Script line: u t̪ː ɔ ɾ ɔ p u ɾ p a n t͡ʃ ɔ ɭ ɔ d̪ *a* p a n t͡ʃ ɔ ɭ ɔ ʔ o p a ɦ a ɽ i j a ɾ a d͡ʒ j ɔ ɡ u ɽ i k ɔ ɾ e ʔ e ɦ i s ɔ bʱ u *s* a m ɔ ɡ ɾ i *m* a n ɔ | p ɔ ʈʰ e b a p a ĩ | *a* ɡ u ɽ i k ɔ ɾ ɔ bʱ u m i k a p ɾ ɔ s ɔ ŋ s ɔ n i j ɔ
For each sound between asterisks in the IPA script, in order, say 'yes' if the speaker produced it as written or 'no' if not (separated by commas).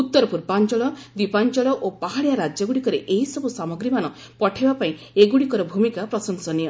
no, yes, yes, no